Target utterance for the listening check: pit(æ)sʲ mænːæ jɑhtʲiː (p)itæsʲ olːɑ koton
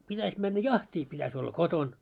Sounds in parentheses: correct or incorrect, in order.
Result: correct, correct

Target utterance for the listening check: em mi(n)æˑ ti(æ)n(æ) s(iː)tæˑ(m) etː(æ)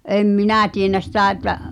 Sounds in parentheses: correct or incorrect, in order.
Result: correct, incorrect: e, correct, incorrect: i, incorrect: none, correct

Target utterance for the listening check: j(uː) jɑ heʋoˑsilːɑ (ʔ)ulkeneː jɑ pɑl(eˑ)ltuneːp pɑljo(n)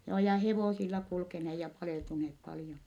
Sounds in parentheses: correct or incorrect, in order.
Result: incorrect: oː, incorrect: k, correct, correct

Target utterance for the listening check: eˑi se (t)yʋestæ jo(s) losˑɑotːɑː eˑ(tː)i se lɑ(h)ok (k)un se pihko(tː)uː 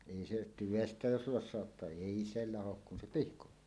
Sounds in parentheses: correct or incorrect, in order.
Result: correct, correct, incorrect: none, correct, correct, correct

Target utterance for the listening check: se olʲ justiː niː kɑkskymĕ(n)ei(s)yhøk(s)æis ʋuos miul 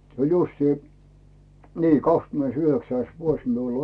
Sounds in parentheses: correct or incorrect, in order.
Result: correct, correct, correct

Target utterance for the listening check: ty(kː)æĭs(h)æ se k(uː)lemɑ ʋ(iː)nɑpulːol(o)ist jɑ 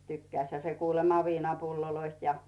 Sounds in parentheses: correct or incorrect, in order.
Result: correct, correct, correct, correct, correct

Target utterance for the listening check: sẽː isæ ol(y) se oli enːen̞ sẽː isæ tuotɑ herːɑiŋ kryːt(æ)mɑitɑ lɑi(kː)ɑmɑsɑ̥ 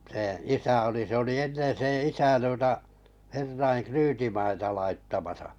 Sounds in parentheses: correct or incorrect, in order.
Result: incorrect: i, incorrect: i, incorrect: tː

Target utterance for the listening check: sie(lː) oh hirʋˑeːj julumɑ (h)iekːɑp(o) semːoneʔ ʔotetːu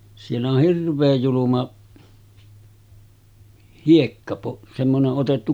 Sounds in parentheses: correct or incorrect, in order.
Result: correct, correct, correct

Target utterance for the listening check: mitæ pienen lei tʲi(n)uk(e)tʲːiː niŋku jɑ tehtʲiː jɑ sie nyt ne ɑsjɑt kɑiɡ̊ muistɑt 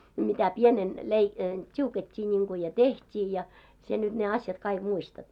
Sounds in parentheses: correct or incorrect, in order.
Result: incorrect: none, correct

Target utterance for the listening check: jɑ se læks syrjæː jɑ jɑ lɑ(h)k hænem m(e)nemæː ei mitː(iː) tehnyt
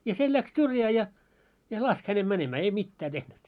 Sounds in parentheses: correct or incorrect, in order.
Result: incorrect: s, incorrect: æ, incorrect: æː

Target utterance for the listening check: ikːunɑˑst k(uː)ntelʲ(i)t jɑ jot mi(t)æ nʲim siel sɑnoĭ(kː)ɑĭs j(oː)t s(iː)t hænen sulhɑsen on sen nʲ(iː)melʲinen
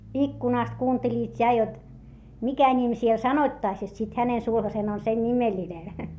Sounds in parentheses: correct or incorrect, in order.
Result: correct, incorrect: iː, incorrect: k, incorrect: tː, incorrect: o, incorrect: i, incorrect: i

